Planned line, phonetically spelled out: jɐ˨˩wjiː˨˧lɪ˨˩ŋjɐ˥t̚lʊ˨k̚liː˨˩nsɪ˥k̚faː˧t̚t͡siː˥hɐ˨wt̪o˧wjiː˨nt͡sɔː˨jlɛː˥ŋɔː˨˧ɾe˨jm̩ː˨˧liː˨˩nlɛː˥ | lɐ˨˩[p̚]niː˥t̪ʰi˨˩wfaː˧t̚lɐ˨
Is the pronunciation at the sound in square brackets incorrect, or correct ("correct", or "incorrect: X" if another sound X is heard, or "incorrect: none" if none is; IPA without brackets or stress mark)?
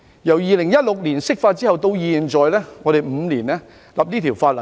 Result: correct